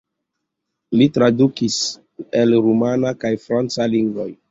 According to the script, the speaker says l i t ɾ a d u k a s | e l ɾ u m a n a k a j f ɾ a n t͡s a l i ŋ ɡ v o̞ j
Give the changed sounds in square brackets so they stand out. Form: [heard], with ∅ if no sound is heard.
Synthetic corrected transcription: l i t ɾ a d u k [i] s | e l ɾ u m a n a k a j f ɾ a n t͡s a l i ŋ ɡ v o̞ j